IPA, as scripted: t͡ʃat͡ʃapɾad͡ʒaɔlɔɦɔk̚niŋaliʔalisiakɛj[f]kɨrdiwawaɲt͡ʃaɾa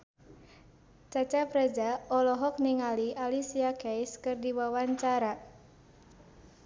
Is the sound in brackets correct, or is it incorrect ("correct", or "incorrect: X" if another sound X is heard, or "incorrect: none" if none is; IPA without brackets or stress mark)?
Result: incorrect: s